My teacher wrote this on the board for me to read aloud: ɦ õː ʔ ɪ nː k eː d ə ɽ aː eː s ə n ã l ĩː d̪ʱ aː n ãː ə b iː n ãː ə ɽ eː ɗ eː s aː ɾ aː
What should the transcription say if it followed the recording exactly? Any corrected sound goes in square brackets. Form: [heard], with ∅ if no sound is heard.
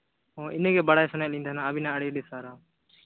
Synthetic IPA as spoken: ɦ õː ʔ ɪ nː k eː [b] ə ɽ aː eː s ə n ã l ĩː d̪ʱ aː n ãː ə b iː n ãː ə ɽ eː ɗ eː s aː ɾ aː